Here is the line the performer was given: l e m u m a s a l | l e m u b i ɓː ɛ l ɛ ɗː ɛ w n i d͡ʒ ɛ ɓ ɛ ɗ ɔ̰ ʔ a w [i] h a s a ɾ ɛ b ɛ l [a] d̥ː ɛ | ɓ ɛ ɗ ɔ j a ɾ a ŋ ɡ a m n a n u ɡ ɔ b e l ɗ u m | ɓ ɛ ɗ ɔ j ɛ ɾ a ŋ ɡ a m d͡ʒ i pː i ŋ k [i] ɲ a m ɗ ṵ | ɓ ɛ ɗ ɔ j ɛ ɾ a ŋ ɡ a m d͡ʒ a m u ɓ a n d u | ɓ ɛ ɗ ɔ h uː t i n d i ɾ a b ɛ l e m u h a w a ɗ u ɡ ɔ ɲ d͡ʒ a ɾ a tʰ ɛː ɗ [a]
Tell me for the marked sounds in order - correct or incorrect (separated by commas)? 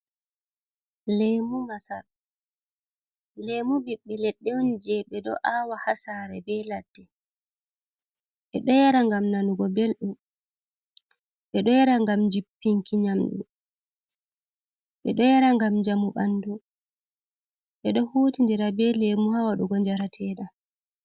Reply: incorrect, correct, correct, correct